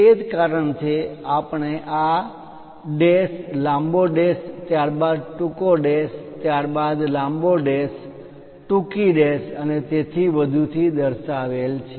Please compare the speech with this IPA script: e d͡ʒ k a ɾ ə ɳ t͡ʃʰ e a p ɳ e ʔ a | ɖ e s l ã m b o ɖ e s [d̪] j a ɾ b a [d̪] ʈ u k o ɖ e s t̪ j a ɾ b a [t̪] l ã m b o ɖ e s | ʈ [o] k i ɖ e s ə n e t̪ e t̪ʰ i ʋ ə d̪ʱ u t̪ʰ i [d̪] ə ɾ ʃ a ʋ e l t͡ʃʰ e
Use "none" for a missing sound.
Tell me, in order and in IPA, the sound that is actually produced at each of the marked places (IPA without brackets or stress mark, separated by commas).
t̪, d̪, d̪, u, d̪